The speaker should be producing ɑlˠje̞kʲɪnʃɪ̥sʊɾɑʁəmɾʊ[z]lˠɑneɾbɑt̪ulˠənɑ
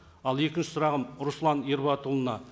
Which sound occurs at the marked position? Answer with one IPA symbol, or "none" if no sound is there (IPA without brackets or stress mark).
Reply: s